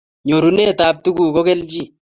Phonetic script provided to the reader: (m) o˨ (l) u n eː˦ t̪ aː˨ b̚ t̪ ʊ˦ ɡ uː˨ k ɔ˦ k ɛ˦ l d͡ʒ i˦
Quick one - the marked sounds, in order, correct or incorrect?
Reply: incorrect, incorrect

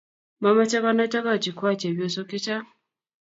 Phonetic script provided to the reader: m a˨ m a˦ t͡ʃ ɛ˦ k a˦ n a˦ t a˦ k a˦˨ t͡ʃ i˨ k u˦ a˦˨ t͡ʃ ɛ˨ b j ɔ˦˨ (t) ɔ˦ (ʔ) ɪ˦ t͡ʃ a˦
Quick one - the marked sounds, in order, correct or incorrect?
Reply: incorrect, incorrect

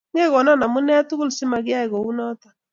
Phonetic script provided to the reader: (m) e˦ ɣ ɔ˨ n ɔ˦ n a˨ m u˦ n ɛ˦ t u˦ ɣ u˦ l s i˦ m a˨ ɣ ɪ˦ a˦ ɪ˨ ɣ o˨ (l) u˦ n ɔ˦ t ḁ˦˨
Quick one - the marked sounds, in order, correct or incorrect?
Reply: incorrect, incorrect

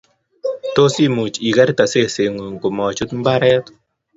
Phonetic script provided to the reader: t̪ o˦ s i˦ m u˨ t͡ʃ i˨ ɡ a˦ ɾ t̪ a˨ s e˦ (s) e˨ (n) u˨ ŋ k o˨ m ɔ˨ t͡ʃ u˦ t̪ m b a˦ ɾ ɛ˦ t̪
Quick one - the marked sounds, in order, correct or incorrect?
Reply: correct, incorrect

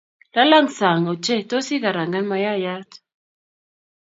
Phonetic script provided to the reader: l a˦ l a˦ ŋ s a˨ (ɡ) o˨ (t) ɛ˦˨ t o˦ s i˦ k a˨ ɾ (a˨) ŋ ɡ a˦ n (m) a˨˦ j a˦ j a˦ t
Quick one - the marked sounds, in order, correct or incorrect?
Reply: incorrect, incorrect, correct, correct

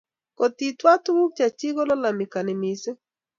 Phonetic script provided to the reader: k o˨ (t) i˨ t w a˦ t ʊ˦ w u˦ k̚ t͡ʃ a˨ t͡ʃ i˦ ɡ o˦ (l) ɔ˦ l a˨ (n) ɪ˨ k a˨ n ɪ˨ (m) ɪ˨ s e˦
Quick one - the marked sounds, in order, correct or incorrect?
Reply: correct, correct, incorrect, correct

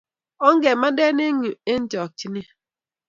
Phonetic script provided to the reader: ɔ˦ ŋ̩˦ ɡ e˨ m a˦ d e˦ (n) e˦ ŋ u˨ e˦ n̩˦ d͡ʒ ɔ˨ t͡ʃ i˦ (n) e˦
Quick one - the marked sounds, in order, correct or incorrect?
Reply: correct, correct

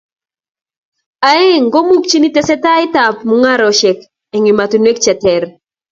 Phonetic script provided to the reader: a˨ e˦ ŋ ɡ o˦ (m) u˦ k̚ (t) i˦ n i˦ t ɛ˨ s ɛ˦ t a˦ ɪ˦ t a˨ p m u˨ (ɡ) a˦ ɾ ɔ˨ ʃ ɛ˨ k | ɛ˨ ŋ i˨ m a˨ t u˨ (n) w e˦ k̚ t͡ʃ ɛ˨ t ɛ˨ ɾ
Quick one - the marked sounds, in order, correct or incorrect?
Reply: correct, incorrect, incorrect, correct

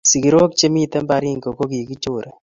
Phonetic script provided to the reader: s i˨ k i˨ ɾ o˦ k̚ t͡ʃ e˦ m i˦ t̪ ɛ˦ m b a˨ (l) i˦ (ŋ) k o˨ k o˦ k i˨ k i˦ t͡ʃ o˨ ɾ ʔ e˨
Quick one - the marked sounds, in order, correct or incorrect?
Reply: incorrect, correct

